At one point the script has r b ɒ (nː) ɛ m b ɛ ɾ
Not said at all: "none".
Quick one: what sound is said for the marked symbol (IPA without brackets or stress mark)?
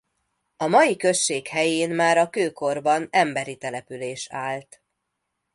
n